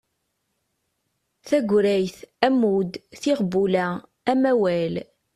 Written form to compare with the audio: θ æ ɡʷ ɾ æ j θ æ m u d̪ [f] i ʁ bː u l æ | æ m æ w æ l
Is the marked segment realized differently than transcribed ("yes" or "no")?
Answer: yes